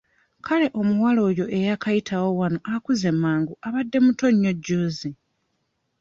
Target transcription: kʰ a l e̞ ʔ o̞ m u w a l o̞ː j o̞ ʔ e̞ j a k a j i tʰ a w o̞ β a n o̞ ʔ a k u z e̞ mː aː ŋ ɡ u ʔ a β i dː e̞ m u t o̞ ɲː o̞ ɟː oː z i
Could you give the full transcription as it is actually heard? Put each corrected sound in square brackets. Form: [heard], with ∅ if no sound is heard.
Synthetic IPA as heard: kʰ a l e̞ ʔ o̞ m u w a l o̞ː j o̞ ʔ e̞ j a k a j i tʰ a w o̞ [w] a n o̞ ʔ a k u z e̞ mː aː ŋ ɡ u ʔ a β [a] dː e̞ m u t o̞ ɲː o̞ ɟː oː z i